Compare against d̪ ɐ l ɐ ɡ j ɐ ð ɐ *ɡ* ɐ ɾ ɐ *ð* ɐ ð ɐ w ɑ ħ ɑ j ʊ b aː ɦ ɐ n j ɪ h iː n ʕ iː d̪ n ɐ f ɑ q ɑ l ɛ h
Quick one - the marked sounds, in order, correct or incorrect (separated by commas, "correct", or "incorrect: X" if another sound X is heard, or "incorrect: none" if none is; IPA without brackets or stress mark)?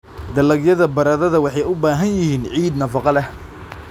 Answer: incorrect: b, correct